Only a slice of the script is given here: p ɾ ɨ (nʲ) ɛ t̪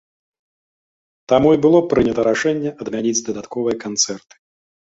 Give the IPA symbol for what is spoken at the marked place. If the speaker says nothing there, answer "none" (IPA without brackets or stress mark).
nʲ